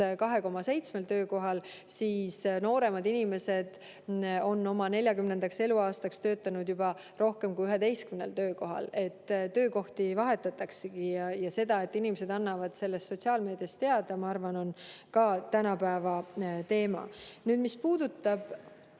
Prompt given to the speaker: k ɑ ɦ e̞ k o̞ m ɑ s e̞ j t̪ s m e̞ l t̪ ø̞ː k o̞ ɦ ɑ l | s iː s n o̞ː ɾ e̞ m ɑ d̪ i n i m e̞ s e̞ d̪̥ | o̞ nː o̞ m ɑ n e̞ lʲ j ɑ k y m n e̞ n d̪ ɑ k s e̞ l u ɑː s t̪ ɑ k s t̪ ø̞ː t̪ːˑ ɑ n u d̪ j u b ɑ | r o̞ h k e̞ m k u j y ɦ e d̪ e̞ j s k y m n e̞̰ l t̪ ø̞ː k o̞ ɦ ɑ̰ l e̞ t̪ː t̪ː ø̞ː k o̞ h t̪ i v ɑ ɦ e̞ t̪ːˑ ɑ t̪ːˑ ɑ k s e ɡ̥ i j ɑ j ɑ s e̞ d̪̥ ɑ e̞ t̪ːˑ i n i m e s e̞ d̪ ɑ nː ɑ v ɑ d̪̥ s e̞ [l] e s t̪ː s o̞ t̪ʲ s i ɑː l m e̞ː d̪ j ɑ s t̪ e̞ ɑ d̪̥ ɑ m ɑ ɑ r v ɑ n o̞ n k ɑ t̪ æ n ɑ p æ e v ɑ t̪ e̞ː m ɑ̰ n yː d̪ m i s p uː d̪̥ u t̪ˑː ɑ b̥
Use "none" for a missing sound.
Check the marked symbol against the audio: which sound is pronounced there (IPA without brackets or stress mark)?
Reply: lː